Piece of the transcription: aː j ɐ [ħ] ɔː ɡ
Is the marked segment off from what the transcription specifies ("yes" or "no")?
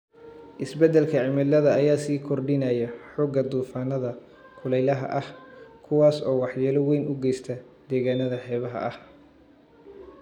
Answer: no